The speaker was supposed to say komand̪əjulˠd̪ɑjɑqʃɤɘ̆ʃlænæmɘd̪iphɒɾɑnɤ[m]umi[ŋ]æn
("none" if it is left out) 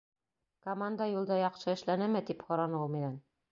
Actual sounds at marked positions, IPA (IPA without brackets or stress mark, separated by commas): none, n